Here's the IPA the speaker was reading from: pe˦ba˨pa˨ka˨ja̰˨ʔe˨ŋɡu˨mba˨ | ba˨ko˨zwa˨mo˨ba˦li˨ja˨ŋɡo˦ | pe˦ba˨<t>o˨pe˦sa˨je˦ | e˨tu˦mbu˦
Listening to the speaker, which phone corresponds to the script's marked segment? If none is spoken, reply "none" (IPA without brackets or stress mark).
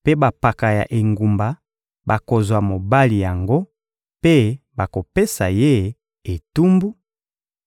k